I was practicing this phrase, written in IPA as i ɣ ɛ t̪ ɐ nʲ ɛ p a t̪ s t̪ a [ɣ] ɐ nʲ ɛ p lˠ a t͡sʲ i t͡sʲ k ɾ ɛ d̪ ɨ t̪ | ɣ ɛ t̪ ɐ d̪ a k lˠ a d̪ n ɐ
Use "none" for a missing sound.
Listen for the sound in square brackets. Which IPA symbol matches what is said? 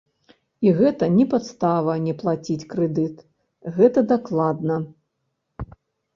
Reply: v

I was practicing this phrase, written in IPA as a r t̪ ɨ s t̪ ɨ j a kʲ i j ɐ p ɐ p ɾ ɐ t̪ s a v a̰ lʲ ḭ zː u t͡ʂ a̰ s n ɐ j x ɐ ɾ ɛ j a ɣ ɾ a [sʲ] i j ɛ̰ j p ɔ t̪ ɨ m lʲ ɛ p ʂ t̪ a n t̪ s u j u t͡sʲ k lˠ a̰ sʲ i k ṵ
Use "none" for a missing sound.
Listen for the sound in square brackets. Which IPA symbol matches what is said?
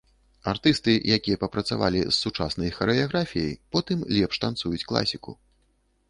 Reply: fʲ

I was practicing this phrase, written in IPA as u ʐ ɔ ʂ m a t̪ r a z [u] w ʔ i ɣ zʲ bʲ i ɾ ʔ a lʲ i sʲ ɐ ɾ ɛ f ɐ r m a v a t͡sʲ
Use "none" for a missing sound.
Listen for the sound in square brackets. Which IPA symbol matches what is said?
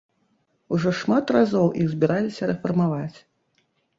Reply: ɔ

